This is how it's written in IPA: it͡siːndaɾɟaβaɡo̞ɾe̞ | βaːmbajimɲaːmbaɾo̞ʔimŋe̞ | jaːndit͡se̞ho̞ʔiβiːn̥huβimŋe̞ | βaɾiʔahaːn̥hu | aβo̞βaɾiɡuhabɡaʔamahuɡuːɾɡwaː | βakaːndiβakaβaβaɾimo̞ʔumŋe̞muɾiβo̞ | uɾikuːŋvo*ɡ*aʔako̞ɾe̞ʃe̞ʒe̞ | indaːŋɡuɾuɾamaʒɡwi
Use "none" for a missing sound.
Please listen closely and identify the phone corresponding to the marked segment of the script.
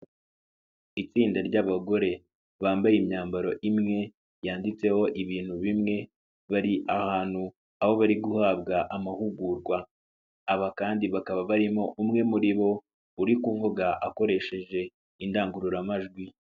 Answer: ɡ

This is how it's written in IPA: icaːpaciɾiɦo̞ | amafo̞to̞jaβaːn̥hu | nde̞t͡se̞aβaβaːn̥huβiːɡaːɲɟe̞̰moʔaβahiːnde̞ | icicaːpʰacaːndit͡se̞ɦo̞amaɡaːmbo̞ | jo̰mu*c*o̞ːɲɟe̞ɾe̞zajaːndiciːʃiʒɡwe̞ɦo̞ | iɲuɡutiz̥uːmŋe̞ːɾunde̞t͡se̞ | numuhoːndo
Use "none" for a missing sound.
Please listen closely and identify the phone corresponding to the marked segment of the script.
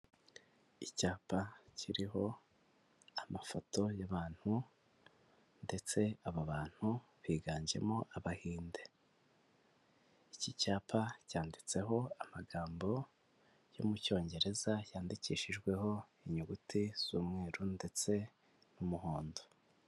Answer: c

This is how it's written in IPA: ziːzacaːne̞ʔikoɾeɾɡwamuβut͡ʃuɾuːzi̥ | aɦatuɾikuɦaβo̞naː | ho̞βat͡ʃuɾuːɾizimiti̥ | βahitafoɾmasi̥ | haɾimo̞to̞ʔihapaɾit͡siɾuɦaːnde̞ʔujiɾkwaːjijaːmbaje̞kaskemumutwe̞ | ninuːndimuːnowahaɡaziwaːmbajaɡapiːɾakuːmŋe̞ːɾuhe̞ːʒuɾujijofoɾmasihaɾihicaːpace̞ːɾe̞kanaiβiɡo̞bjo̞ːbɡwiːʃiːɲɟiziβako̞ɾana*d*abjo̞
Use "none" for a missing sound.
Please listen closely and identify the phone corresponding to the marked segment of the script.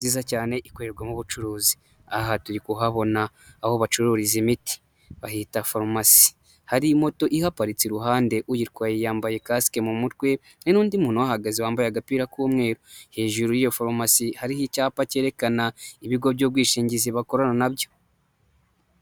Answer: n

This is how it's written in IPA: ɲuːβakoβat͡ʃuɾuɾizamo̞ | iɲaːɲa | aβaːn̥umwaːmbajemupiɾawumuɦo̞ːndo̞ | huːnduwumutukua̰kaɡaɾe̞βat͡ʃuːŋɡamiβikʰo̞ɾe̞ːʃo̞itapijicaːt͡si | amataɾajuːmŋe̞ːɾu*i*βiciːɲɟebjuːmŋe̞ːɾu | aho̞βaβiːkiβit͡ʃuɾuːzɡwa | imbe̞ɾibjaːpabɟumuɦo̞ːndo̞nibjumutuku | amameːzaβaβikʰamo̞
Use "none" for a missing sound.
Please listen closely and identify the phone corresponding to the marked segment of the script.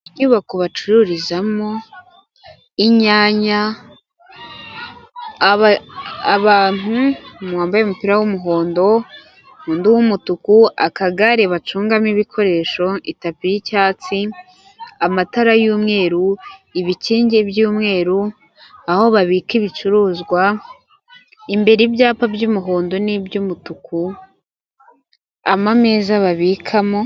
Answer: i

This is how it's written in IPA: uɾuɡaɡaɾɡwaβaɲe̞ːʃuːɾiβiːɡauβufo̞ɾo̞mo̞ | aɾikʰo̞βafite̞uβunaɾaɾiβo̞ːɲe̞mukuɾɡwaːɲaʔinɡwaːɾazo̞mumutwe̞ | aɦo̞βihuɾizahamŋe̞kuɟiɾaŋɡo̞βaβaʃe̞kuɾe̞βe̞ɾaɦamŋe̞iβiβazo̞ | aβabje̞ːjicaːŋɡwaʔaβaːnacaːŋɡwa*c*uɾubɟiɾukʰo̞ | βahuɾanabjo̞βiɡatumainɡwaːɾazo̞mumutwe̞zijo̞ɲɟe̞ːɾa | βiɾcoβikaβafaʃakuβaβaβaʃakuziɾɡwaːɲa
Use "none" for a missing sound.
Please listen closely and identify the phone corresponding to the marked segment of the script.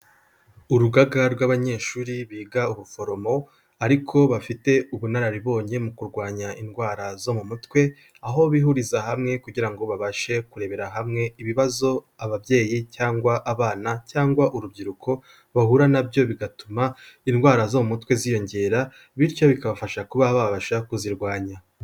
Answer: ʔ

